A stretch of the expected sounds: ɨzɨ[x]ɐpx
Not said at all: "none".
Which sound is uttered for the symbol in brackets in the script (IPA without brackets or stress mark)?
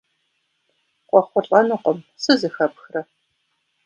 x